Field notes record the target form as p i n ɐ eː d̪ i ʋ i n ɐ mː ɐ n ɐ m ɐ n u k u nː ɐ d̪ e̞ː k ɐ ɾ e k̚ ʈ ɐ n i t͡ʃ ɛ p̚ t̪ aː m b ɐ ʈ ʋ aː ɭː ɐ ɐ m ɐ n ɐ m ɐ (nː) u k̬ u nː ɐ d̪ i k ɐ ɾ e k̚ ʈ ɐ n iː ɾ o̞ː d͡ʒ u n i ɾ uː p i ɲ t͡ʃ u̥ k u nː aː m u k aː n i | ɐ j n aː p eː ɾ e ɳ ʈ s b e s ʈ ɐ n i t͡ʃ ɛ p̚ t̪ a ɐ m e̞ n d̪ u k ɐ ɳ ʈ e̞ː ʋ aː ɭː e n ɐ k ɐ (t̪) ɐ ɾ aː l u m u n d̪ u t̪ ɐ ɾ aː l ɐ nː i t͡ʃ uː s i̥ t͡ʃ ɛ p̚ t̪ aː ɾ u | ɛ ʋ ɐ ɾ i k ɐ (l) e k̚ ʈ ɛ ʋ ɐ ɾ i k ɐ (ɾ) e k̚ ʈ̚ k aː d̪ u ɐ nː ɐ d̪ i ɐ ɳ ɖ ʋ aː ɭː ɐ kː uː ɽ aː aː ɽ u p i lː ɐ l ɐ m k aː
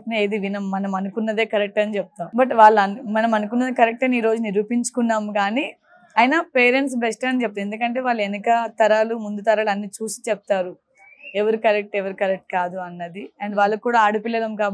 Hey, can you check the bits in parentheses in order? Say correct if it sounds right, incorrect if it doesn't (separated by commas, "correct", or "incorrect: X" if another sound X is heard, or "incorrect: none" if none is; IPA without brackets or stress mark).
incorrect: n, correct, incorrect: ɾ, correct